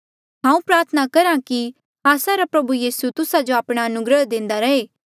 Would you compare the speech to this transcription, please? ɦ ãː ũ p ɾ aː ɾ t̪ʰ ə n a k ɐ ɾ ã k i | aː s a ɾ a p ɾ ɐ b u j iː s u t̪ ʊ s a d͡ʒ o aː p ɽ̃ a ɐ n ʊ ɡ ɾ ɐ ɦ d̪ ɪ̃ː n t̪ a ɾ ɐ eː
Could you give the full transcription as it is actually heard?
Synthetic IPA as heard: ɦ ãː ũ p ɾ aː ɾ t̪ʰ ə n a k ɐ ɾ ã k i | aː s a ɾ a p ɾ ɐ b u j iː s u t̪ ʊ s a d͡ʒ o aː p ɽ̃ a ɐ n ʊ ɡ ɾ ə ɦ d̪ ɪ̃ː n d̪ a ɾ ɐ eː